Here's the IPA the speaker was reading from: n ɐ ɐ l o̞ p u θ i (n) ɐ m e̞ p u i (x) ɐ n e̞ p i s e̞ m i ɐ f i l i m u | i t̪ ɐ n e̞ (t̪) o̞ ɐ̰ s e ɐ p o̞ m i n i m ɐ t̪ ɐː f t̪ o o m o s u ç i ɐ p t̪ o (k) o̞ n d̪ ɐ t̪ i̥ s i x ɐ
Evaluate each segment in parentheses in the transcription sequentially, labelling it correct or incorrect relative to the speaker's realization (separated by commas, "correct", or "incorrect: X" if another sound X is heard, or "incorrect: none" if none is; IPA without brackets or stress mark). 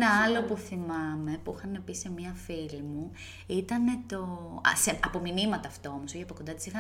incorrect: m, correct, correct, correct